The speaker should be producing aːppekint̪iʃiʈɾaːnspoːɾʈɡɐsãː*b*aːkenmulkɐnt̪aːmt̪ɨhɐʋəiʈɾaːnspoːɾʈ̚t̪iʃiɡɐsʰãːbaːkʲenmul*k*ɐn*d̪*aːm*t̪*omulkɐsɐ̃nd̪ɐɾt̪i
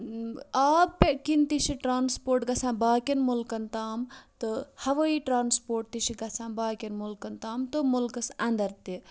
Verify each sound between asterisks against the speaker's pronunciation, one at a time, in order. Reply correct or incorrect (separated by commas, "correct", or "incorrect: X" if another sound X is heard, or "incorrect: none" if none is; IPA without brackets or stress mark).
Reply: correct, correct, incorrect: t̪, correct